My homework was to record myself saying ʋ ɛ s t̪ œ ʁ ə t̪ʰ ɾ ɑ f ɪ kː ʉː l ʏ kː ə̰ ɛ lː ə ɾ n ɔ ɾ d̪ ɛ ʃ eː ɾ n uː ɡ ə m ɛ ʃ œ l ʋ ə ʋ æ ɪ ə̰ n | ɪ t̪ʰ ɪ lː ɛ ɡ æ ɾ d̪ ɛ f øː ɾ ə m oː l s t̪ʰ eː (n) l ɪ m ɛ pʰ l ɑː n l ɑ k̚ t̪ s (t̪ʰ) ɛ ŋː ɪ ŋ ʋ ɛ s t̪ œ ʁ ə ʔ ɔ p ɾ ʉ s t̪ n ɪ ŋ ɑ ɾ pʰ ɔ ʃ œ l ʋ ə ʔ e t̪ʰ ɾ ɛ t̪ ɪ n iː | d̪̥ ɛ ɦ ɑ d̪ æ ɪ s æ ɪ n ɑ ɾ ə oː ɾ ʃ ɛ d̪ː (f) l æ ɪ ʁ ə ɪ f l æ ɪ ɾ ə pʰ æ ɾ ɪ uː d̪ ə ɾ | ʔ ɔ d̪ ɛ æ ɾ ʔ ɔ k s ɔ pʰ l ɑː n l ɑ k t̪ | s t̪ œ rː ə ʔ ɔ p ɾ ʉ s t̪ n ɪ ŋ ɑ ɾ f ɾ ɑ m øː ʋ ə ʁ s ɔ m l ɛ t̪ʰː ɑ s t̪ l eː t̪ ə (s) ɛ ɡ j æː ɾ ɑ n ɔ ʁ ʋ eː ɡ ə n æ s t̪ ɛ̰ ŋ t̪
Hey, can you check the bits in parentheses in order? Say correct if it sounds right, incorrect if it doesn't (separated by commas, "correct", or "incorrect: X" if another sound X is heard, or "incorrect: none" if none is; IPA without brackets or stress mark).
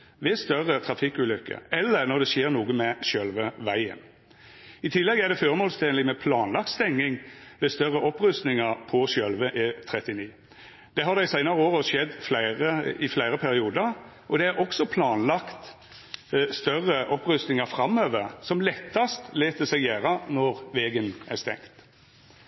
correct, incorrect: t̪, correct, correct